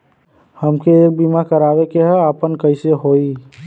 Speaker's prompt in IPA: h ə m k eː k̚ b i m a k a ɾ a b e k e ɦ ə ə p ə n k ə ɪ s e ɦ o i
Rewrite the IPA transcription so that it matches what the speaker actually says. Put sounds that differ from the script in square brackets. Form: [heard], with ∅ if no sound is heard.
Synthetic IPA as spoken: h ə m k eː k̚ b i m a k [ə] ɾ a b e k e ɦ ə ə p ə n k ə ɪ s e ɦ o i